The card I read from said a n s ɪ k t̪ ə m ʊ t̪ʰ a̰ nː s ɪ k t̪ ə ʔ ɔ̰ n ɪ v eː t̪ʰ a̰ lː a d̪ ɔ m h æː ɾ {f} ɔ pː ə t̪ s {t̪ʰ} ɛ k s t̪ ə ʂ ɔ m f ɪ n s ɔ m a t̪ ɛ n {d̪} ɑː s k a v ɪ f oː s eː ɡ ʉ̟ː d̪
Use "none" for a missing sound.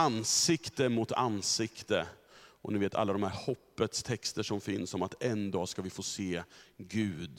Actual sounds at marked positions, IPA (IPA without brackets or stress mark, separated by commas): h, t̪ʰ, d̪